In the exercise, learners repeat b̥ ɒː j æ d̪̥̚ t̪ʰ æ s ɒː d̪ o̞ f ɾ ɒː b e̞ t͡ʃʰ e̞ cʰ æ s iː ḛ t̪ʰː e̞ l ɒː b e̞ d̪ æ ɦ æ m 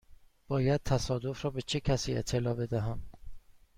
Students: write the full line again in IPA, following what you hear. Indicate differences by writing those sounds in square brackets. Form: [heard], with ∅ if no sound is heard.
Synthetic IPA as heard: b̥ ɒː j æ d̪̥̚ t̪ʰ æ s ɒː d̪ o̞ f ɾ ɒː b e̞ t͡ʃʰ e̞ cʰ æ s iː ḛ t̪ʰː e̞ l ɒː b e̞ d̪ æ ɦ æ m